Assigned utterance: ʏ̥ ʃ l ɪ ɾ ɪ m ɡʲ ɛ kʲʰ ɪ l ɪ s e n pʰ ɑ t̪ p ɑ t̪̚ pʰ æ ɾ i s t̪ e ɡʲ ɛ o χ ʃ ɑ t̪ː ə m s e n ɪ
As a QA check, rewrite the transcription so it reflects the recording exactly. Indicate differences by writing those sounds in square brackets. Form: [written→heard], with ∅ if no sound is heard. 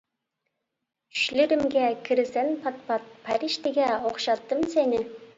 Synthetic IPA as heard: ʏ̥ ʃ l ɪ ɾ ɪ m ɡʲ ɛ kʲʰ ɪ [l→ɾ] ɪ s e n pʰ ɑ t̪ p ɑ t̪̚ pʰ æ ɾ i [s→ʃ] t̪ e ɡʲ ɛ o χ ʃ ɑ t̪ː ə m s e n ɪ